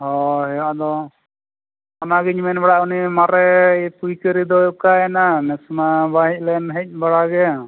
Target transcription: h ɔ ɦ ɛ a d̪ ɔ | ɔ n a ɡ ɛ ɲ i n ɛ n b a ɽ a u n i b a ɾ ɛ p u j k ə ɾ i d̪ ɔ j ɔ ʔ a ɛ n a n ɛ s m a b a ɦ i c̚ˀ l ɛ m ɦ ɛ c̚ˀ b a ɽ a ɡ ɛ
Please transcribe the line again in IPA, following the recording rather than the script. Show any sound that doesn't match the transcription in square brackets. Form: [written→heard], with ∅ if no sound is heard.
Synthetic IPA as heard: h ɔ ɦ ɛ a d̪ ɔ | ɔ n a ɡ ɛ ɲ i [n→m] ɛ n b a ɽ a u n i [b→m] a ɾ ɛ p u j k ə ɾ i d̪ ɔ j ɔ [ʔ→k] a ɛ n a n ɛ s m a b a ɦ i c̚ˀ l ɛ [m→n] ɦ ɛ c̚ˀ b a ɽ a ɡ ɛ